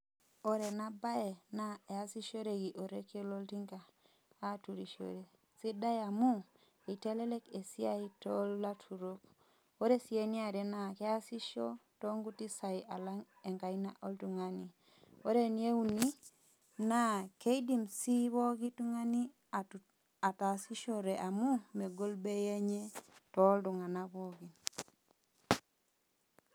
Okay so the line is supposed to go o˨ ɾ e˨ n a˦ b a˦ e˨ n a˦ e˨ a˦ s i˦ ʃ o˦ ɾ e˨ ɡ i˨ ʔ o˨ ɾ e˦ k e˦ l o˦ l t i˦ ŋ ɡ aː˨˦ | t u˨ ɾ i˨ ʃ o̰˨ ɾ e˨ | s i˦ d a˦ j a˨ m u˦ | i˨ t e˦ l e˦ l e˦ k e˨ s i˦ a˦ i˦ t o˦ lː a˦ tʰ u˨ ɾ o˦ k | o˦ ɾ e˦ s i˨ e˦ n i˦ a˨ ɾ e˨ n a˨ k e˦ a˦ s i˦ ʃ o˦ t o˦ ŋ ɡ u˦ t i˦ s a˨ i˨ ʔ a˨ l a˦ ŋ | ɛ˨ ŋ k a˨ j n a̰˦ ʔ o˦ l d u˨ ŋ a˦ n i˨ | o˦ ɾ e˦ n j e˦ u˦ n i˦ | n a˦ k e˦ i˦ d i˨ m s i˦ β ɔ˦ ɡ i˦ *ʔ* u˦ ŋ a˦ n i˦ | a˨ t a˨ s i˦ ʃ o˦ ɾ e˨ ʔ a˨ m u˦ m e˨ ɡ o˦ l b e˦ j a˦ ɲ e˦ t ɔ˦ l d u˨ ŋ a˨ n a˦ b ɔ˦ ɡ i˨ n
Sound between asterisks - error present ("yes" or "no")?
yes